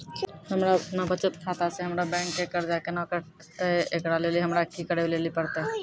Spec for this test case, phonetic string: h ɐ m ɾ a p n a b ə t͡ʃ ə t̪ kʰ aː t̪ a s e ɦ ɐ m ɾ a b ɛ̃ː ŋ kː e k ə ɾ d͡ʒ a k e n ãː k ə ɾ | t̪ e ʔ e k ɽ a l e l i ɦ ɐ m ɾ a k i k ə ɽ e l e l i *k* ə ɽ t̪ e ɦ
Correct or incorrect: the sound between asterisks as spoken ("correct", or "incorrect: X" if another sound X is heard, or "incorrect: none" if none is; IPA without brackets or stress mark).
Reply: incorrect: p